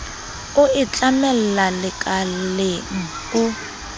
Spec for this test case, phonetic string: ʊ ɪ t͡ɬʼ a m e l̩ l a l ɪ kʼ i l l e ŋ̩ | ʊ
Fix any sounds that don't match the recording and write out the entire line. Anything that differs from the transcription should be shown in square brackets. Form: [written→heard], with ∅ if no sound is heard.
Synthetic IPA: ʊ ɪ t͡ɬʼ a m [e→ɛ] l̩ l a l ɪ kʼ [i→a] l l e ŋ̩ | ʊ